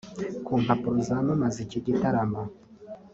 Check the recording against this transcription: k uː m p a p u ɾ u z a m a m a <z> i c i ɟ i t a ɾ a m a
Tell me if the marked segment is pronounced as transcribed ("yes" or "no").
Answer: yes